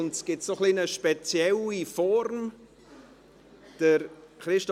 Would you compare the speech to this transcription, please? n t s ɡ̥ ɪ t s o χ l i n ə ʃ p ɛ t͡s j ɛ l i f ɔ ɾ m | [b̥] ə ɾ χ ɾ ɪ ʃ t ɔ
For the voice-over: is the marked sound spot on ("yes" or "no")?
no